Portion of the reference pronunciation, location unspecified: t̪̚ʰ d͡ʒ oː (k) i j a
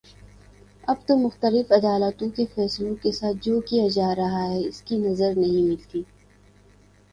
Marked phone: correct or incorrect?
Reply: correct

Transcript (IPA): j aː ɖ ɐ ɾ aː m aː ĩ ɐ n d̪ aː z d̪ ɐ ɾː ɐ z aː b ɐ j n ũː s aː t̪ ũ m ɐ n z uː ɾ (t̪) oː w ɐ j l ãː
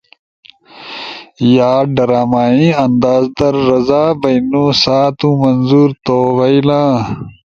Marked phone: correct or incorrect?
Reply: correct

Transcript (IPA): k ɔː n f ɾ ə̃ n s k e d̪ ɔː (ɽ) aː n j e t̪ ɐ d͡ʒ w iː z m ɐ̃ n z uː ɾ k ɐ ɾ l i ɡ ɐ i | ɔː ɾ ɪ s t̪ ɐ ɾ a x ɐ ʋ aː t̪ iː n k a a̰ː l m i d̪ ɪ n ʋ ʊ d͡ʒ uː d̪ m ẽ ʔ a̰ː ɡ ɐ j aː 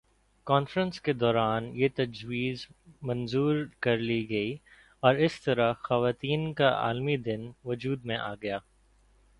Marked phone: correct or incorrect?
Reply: incorrect: ɾ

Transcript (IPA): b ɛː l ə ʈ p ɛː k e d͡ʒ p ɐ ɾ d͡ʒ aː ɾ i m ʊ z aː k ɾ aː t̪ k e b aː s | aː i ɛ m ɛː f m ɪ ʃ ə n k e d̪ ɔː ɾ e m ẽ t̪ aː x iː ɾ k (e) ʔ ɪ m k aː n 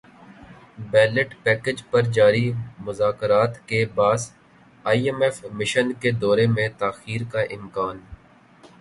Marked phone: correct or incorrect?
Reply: incorrect: a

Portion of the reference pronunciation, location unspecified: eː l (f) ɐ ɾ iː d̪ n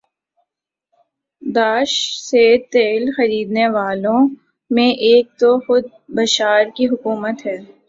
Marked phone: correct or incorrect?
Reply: incorrect: x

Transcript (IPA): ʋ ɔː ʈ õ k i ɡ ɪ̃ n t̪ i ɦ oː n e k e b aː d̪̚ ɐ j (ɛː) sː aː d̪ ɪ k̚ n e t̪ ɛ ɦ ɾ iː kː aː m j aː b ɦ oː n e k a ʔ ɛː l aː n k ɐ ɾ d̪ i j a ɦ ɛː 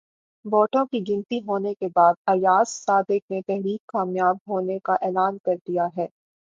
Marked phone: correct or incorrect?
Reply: incorrect: aː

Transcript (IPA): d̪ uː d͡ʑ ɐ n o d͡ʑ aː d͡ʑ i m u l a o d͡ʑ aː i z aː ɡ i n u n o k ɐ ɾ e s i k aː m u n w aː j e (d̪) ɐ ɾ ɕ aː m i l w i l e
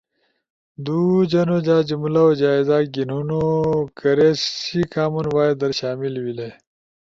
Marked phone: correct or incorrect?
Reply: correct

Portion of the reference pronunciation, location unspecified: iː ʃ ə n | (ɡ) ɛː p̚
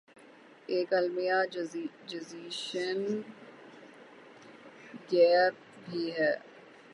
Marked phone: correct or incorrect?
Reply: correct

